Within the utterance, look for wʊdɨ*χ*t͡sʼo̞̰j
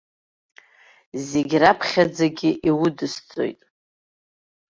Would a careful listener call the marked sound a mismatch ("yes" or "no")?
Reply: yes